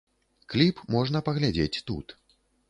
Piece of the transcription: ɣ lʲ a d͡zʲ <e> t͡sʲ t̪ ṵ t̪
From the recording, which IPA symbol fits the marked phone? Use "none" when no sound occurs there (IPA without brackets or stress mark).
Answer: e